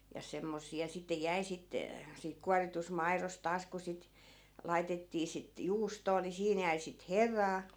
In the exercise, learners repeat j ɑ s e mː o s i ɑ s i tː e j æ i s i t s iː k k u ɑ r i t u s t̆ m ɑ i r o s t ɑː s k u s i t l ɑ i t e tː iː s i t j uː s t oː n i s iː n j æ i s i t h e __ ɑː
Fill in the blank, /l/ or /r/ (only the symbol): r